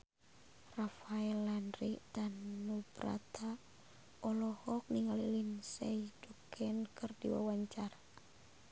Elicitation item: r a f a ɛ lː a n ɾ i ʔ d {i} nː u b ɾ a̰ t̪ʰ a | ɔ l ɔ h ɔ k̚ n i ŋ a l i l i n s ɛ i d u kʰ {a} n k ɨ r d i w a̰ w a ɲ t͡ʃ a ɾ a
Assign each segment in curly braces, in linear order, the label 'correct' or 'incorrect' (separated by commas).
incorrect, incorrect